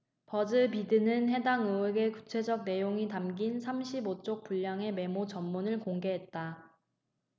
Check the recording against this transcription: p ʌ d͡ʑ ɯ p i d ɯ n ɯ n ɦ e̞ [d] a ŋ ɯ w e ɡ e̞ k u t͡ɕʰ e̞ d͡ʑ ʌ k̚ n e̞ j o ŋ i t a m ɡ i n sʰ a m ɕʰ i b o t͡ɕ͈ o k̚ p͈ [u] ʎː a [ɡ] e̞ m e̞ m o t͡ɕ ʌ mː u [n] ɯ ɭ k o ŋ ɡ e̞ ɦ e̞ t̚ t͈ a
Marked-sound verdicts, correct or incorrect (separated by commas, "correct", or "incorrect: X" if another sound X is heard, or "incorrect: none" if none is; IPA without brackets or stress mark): correct, correct, incorrect: ŋ, correct